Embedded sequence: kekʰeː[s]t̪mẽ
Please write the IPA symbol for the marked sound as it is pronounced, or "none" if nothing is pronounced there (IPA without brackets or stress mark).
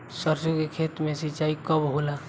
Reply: none